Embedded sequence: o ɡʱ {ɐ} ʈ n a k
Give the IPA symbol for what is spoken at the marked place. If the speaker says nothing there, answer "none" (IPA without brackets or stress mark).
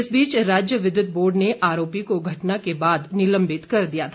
ɐ